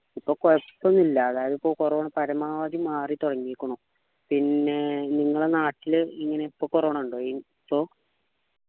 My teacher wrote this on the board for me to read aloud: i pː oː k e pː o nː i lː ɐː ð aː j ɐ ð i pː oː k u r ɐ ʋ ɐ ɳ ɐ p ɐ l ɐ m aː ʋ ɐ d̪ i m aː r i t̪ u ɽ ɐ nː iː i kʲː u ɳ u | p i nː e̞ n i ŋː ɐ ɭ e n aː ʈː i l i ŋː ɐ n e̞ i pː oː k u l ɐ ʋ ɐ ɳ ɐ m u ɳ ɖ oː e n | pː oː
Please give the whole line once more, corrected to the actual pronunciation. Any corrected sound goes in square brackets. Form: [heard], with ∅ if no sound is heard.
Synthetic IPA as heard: i pː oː k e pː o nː i lː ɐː ð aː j ɐ ð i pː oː k u r ɐ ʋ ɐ ɳ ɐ p ɐ [ɾ] ɐ m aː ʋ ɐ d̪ i m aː r i t̪ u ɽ ɐ [ŋː] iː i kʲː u ɳ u | p i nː e̞ n i ŋː ɐ ɭ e n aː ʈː i l i ŋː ɐ n e̞ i pː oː k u [r] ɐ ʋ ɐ ɳ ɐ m u ɳ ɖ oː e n | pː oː

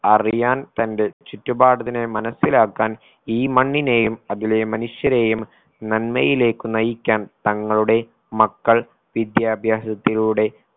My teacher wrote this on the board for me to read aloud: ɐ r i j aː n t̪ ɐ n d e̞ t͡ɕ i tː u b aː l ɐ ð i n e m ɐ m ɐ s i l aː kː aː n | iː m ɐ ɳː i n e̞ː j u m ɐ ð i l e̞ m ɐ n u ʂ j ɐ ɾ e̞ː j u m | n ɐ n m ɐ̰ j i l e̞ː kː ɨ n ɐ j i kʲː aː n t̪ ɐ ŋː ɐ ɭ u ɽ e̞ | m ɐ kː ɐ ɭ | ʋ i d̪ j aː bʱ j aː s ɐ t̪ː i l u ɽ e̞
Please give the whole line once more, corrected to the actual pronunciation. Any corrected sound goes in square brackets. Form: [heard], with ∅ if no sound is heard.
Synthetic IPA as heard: ɐ r i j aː n t̪ ɐ n d e̞ t͡ɕ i tː u b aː [ɽ] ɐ ð i n e m ɐ [n] ɐ s i l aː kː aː n | iː m ɐ ɳː i n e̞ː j u m ɐ ð i l e̞ m ɐ n u ʂ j ɐ ɾ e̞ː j u m | n ɐ n m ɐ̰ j i l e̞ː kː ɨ n ɐ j i kʲː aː n t̪ ɐ ŋː ɐ ɭ u ɽ e̞ | m ɐ kː ɐ ɭ | ʋ i d̪ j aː bʱ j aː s ɐ t̪ː i l u ɽ e̞

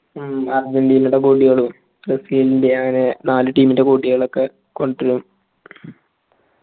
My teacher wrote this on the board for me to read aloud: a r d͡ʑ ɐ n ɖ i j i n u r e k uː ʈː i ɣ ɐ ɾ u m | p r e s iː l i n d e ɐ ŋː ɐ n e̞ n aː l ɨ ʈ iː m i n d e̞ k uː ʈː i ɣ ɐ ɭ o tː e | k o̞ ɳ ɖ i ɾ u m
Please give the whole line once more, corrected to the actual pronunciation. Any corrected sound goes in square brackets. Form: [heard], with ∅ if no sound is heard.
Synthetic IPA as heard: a r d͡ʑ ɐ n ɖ i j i n u [ɽ] e k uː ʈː i ɣ ɐ [ɭ] u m | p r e s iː l i n d e ɐ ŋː ɐ n e̞ n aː l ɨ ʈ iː m i n d e̞ k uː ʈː i ɣ ɐ ɭ o [kː] e | k o̞ ɳ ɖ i ɾ u m

